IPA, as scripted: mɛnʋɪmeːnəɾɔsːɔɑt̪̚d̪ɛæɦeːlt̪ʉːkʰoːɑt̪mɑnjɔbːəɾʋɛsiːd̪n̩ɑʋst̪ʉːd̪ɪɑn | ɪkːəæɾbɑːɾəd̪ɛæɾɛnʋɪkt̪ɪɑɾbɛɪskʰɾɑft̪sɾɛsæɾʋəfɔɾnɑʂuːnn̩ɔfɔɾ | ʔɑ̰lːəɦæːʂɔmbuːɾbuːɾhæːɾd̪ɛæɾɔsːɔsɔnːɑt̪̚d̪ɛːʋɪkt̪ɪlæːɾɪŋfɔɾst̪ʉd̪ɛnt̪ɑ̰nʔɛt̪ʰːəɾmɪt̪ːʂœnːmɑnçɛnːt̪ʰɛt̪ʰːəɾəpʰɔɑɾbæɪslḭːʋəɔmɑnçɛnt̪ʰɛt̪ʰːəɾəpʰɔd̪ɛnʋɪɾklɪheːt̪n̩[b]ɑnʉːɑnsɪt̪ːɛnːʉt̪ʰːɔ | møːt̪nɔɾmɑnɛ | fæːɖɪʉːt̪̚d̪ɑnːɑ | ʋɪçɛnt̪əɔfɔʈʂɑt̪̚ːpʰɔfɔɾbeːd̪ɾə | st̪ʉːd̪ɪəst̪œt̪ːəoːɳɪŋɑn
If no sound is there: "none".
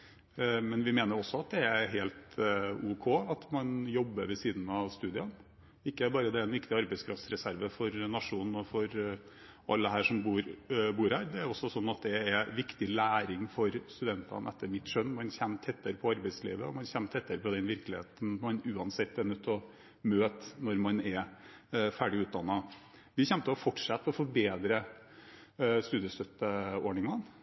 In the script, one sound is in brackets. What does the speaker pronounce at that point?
m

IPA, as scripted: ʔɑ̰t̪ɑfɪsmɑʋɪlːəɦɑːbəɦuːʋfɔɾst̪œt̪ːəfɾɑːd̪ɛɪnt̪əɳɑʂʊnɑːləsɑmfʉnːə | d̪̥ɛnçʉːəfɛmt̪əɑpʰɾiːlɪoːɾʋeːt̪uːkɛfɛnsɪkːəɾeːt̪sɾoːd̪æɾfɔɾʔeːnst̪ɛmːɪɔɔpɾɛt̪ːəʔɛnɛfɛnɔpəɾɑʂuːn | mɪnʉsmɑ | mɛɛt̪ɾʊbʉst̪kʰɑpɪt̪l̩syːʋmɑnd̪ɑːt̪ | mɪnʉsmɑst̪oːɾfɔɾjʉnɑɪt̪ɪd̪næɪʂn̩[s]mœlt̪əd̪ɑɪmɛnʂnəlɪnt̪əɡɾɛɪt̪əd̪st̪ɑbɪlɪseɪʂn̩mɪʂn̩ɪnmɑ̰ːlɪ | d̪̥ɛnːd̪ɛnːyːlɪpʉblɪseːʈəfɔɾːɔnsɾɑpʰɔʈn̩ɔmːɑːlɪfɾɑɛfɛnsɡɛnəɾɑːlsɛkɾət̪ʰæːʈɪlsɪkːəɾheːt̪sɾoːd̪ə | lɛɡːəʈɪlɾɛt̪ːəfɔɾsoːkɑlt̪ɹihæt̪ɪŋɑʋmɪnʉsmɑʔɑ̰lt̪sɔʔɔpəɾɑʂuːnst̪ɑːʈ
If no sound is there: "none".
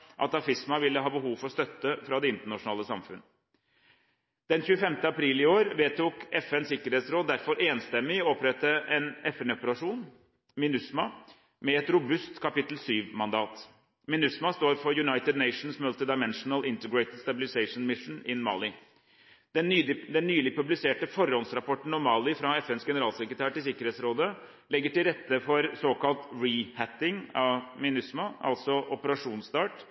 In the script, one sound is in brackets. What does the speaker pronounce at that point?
s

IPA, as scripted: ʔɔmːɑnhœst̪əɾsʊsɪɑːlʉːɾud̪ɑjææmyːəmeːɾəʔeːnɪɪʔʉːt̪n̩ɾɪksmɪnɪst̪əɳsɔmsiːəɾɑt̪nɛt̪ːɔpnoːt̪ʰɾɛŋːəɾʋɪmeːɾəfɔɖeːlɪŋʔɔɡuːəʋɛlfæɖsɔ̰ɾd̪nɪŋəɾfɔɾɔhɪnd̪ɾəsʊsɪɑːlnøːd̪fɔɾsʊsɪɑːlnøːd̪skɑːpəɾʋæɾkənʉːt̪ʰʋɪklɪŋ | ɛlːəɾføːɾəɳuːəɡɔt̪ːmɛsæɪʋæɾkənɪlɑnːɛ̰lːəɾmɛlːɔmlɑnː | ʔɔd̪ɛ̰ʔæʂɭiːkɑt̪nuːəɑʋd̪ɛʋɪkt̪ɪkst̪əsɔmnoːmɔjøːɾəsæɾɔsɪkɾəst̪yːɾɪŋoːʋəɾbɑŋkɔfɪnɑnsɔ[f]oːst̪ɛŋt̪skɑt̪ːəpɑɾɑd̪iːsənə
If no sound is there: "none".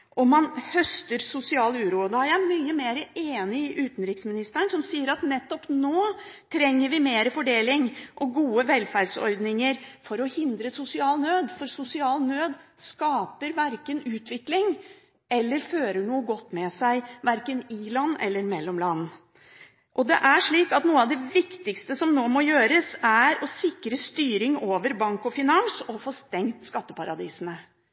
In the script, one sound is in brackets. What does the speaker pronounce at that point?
f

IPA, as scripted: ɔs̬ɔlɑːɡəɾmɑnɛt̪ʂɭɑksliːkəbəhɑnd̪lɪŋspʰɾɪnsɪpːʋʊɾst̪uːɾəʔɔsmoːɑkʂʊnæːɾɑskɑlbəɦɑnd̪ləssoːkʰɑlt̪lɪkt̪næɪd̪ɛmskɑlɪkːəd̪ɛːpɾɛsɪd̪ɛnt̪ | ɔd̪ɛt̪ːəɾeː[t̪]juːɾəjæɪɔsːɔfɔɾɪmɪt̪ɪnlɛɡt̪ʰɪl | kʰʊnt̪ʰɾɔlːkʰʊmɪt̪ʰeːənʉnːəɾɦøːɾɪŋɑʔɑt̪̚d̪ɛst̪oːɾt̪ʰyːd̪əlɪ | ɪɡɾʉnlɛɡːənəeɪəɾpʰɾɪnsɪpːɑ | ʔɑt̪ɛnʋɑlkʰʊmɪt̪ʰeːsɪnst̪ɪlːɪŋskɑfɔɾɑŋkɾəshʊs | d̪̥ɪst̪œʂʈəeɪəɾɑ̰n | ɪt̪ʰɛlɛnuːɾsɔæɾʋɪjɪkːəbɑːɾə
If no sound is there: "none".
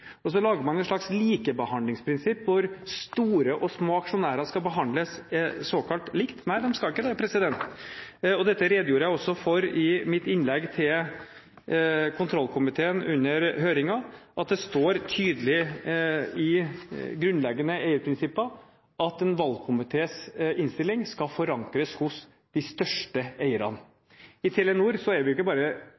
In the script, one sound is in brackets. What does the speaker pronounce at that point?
d̪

